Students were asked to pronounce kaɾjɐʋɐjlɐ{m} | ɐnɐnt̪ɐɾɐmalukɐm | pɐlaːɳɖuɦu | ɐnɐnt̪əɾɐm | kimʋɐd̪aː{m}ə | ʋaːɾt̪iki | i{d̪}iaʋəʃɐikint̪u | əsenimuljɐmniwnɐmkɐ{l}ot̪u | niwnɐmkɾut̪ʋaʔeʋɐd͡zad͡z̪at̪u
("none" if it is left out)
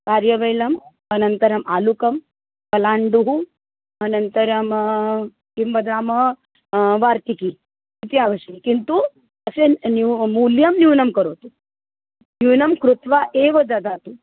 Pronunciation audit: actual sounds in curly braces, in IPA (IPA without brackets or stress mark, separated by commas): m, m, t̪, ɾ